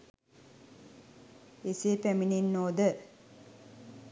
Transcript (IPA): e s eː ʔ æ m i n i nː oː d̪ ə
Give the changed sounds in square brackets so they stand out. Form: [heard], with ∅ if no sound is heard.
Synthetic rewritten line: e s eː [p] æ m i n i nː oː d̪ ə

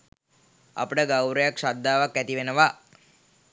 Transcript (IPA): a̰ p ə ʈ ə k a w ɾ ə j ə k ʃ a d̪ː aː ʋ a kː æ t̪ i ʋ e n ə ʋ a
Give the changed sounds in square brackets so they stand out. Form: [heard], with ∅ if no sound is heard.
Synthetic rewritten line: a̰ p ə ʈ ə [ɡ] a w ɾ ə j [a] k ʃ a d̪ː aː ʋ a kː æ t̪ i ʋ e n ə ʋ a

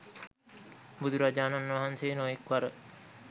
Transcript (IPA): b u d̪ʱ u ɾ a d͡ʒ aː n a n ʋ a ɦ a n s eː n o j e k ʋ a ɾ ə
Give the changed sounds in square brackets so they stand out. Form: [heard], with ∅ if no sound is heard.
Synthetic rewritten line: b u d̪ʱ u ɾ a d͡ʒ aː n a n ʋ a ɦ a n s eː n o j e k ʋ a ɾ ə

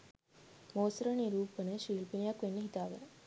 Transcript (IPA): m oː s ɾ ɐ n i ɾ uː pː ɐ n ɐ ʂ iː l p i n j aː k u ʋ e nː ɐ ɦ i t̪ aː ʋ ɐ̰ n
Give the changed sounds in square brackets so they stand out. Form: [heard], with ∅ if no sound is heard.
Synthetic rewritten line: m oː s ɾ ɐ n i ɾ uː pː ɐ n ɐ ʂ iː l p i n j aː k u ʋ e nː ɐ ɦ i t̪ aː ʋ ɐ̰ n

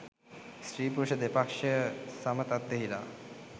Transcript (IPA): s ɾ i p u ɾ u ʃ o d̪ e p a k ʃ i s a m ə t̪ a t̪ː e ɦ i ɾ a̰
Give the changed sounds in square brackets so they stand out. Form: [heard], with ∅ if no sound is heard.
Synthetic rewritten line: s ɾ i p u ɾ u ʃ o d̪ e p a k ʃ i s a m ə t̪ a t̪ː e ɦ i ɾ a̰

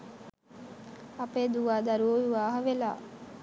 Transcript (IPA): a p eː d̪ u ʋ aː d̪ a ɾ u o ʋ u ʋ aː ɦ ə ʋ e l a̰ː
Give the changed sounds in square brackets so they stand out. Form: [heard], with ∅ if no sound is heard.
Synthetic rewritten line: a p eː d̪ u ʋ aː d̪ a ɾ u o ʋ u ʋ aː ɦ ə ʋ e l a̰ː

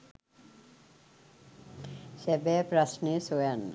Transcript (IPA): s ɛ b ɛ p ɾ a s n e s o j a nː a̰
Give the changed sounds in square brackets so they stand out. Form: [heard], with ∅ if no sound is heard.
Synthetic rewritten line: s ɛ b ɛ p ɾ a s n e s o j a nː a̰

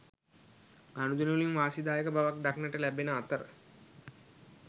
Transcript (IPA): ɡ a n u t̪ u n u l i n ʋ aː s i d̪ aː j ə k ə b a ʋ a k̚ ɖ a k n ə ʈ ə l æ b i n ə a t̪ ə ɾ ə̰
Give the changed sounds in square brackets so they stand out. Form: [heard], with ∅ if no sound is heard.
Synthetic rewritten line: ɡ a n u [d̪] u n u l i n ʋ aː s i d̪ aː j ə k ə b a ʋ a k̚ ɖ a k n ə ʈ ə l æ b [e] n ə a t̪ ə ɾ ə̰

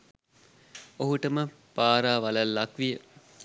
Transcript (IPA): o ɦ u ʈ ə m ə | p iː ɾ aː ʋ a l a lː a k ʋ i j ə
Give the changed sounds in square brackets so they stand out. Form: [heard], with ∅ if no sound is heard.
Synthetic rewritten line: o ɦ u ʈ ə m ə | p [aː] ɾ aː ʋ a l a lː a k ʋ i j ə

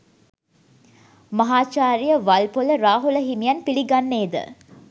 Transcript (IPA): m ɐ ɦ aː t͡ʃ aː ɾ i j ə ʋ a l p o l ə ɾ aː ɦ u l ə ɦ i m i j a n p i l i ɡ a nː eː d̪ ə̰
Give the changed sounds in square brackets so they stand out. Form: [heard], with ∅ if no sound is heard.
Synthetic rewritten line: m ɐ ɦ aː t͡ʃ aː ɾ i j ə ʋ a l p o l ə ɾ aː ɦ u l ə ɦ i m i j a n p i l i ɡ a nː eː d̪ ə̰

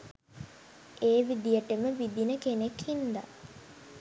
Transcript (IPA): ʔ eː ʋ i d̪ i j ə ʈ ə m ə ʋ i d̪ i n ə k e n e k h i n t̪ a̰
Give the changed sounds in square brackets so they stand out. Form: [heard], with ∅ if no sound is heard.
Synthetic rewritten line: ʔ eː ʋ i d̪ i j ə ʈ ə m ə ʋ i d̪ i n ə k e n e k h i n [d̪] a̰

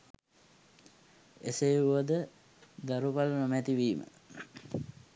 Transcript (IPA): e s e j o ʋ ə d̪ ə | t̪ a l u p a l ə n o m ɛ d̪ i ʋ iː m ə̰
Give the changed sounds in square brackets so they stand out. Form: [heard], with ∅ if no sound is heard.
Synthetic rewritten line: e s e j [u] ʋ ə d̪ ə | [d̪] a [ɾ] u p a l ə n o m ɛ [t̪] i ʋ iː m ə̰

